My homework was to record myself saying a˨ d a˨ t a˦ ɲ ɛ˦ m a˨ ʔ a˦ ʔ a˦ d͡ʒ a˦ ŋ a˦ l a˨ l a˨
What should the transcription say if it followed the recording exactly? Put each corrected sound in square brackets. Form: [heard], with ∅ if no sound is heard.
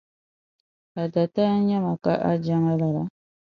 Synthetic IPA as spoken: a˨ d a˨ t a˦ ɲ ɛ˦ m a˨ [k] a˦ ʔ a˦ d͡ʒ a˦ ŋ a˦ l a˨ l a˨